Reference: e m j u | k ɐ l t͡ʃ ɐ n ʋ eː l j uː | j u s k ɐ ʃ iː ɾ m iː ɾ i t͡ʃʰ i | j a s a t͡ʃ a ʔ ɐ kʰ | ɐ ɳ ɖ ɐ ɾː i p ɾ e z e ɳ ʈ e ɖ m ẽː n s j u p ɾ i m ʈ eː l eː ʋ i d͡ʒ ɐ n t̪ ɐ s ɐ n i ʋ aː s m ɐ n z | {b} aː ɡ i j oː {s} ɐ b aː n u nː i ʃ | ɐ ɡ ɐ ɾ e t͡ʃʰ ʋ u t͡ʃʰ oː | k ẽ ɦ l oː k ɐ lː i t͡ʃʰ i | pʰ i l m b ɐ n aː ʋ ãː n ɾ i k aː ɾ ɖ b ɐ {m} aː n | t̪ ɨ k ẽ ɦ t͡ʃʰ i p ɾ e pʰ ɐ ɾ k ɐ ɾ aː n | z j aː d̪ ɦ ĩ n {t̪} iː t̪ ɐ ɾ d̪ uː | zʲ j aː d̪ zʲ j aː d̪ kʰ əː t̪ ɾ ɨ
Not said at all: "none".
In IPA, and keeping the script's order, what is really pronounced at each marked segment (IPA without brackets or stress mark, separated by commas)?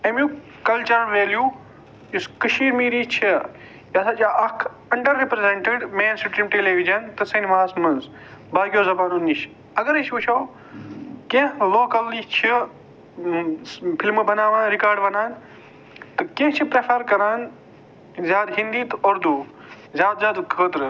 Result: b, z, n, d̪